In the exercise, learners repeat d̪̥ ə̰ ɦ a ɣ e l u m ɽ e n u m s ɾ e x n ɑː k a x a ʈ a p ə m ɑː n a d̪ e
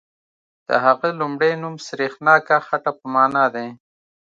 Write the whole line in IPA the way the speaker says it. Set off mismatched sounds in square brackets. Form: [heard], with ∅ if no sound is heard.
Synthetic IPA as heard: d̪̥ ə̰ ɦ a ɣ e l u m ɽ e n u m s ɾ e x n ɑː k a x a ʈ a p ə m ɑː n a d̪ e